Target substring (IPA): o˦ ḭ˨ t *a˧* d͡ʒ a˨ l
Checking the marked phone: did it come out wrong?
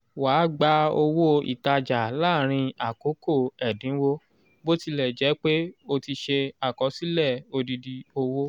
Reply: no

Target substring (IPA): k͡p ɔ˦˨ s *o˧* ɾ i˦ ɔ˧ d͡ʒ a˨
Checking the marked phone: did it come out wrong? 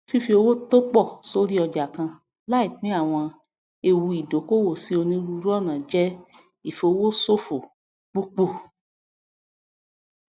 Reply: no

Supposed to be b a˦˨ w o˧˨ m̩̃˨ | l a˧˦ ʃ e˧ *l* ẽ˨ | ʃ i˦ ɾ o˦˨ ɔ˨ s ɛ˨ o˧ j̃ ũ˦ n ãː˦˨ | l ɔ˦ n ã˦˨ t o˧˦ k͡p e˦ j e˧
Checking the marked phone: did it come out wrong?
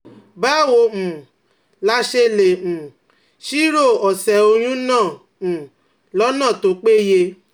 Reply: no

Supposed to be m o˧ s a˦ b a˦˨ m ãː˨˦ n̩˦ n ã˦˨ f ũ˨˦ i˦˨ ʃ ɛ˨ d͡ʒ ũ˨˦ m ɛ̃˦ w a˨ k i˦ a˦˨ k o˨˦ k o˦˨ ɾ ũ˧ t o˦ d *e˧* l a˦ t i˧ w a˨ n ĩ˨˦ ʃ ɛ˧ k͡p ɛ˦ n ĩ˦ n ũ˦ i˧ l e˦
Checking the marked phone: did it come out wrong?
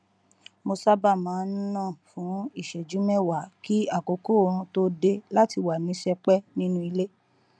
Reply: no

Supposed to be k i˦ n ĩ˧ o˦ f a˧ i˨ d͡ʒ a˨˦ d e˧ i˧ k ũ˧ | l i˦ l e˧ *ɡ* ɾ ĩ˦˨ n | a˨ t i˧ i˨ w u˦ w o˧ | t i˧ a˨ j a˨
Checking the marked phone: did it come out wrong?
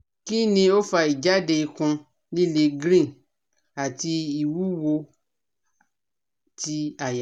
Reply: no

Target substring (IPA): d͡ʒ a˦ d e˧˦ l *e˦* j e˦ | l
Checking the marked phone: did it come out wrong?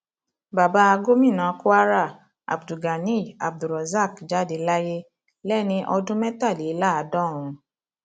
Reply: yes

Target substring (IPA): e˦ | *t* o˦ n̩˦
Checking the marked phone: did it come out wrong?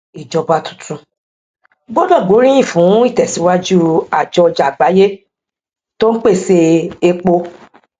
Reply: no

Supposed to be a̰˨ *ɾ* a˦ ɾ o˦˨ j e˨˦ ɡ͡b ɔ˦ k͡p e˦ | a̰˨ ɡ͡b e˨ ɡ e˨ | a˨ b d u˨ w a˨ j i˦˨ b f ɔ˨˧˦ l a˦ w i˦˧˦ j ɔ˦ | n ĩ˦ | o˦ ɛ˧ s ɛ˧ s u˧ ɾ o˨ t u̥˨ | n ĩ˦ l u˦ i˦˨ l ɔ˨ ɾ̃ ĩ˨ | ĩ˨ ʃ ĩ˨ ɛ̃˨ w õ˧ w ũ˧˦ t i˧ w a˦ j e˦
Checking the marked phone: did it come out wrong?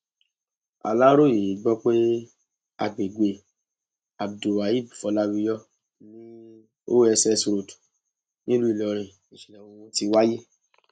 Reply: yes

